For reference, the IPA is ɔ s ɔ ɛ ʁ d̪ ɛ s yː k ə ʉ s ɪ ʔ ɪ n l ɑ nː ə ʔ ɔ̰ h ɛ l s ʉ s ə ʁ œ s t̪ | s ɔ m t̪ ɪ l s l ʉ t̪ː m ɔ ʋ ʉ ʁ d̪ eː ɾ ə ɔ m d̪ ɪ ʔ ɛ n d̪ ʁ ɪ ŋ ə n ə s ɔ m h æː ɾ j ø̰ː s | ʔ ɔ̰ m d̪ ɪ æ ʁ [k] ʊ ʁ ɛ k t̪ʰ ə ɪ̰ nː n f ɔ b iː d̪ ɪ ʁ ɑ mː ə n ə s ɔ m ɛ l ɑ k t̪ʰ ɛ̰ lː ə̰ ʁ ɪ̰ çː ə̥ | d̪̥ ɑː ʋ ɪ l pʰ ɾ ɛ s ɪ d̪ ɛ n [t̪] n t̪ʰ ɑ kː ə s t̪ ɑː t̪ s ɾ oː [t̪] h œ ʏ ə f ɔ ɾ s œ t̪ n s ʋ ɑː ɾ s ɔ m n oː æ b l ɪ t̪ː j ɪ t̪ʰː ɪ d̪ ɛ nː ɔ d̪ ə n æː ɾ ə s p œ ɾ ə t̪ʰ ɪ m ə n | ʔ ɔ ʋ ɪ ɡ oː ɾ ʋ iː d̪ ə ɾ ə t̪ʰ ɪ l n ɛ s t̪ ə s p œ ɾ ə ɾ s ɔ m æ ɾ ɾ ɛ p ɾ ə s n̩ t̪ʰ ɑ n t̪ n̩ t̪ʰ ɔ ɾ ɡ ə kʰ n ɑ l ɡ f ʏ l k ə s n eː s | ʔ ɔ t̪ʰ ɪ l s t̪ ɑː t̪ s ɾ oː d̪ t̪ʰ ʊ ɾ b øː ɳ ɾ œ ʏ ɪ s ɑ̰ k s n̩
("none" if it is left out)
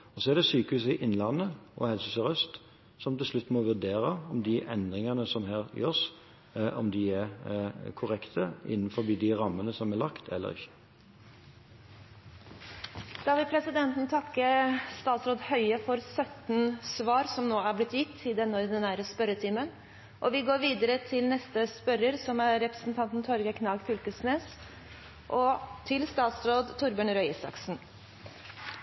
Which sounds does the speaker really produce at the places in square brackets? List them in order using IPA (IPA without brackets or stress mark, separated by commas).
kʰ, t̪, d̪